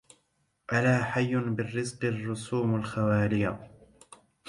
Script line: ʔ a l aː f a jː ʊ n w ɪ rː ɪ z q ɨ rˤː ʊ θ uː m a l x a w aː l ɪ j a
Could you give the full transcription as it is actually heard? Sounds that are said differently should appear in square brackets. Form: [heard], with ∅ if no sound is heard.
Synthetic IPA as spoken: ʔ a l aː [ħ] a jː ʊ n [b] ɪ rː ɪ z q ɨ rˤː ʊ [s] uː m a l x a w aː l ɪ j a